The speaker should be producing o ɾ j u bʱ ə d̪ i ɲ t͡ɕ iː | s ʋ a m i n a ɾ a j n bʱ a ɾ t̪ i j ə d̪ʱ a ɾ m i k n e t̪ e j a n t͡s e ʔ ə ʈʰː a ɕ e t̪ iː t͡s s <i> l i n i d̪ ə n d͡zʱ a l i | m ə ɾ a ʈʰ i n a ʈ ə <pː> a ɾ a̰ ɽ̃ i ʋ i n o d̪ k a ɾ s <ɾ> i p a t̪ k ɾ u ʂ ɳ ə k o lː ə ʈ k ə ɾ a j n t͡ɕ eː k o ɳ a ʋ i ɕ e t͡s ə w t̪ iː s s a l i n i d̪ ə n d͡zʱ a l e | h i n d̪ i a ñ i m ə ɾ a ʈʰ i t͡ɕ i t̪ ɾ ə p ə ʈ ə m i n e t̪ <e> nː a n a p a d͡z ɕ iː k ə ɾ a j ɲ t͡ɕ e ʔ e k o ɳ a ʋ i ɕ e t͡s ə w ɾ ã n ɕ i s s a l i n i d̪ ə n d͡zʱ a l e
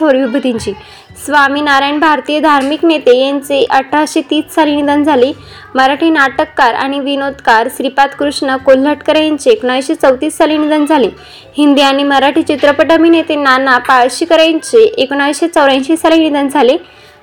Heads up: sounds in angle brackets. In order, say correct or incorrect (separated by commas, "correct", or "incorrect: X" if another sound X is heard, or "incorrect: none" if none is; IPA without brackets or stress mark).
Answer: incorrect: a, incorrect: kː, correct, correct